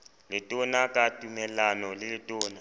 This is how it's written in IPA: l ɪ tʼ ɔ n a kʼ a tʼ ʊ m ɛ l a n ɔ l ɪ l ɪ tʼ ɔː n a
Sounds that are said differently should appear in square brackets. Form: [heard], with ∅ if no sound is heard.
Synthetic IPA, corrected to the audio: l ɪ tʼ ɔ n a kʼ a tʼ [u] m ɛ l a n ɔ l ɪ l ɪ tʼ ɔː n a